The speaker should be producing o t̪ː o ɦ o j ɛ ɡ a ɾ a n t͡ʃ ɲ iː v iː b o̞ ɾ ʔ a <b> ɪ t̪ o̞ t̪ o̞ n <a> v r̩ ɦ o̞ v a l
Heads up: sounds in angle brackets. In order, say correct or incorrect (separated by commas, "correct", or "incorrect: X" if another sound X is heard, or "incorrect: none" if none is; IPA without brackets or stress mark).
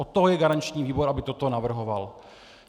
correct, correct